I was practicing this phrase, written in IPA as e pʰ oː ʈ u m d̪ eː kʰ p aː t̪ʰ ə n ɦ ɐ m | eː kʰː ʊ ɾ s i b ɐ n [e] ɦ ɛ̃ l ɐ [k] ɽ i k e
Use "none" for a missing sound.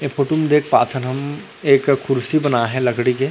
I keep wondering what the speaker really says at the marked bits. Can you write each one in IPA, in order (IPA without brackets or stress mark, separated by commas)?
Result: a, ɡ